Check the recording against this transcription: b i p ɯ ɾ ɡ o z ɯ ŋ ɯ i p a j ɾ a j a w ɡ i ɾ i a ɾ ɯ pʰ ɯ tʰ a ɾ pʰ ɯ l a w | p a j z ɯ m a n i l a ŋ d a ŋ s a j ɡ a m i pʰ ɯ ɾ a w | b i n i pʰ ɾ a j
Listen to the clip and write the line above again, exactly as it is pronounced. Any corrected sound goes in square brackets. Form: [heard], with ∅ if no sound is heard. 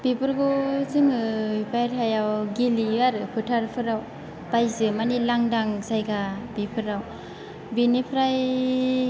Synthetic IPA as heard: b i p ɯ ɾ ɡ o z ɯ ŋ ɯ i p a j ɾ a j a w ɡ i [l] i a ɾ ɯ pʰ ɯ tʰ a ɾ pʰ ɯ [ɾ] a w | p a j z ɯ m a n i l a ŋ d a ŋ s a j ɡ a [b] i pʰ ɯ ɾ a w | b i n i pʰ ɾ a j

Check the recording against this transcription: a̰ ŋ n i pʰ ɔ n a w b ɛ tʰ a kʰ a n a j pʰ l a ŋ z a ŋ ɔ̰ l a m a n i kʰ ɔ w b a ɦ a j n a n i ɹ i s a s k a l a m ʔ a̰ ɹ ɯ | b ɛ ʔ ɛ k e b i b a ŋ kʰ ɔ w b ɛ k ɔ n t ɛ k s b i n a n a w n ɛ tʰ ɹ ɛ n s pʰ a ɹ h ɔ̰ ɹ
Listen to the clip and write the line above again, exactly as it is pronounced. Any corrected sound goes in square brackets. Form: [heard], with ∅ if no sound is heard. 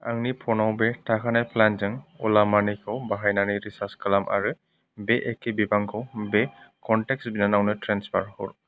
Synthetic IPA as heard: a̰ ŋ n i pʰ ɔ n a w b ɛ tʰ a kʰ a n a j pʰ l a [n] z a ŋ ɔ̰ l a m a n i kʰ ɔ w b a ɦ a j n a n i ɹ i s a s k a l a m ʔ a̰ ɹ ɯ | b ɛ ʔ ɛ k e b i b a ŋ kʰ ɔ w b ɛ k ɔ n t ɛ k s b i n a n a w n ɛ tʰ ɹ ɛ n s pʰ a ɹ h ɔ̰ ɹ

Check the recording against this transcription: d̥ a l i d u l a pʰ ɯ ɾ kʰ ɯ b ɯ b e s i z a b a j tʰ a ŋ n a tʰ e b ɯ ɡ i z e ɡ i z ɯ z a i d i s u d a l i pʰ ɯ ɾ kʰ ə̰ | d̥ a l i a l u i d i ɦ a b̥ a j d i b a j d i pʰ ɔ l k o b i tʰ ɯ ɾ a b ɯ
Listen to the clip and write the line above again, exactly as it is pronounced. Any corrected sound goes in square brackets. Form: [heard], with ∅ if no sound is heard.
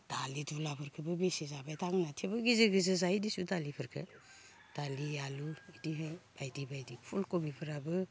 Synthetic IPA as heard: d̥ a l i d u l a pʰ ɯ ɾ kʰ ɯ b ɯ b e s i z a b a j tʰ a ŋ n a tʰ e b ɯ ɡ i z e ɡ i z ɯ z a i d i s u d a l i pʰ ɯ ɾ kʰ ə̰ | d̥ a l i a l u i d i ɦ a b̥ a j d i b a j d i pʰ [u] l k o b i [pʰ] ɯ ɾ a b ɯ

